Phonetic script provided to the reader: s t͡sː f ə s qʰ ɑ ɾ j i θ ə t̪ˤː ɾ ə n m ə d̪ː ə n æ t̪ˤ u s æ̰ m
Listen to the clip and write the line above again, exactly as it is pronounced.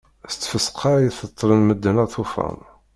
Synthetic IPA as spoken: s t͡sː f ə s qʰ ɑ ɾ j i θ ə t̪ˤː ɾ ə n m ə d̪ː ə n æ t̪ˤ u f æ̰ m